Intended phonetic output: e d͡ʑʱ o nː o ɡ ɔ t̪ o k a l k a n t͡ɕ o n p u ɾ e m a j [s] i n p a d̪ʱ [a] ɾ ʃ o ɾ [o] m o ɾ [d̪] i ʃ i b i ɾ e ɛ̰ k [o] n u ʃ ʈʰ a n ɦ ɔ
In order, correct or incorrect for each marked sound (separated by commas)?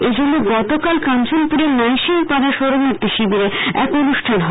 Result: incorrect, correct, correct, incorrect, correct